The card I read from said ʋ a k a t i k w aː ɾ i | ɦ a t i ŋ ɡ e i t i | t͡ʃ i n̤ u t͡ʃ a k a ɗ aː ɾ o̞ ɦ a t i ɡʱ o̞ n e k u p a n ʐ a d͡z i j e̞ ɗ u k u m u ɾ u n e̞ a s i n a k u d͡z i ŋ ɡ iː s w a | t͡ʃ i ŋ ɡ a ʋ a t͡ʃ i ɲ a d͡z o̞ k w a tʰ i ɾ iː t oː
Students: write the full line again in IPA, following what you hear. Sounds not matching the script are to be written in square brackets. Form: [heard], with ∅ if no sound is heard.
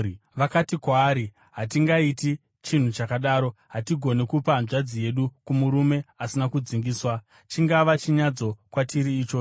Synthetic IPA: ʋ a k a t i k w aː ɾ i | ɦ a t i ŋ ɡ [a] i t i | t͡ʃ i n̤ u t͡ʃ a k a ɗ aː ɾ o̞ ɦ a t i ɡʱ o̞ n e k u p a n ʐ a d͡z i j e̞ ɗ u k u m u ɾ u [m] e̞ a s i n a k u d͡z i ŋ ɡ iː s w a | t͡ʃ i ŋ ɡ a ʋ a t͡ʃ i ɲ a d͡z o̞ k w a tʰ i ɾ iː [t͡ʃ] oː